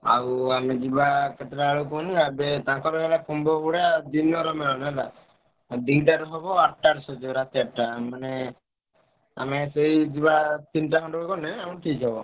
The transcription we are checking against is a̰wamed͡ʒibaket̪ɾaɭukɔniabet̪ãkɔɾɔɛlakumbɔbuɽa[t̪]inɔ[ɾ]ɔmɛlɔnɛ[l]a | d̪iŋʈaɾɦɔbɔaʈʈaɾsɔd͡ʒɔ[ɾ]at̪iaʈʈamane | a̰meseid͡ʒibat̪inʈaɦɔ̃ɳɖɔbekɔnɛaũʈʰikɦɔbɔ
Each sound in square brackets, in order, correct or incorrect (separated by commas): incorrect, correct, correct, correct